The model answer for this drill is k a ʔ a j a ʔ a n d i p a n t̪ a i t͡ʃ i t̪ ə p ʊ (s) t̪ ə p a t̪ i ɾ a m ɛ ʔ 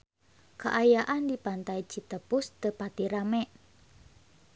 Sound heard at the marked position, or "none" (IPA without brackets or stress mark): s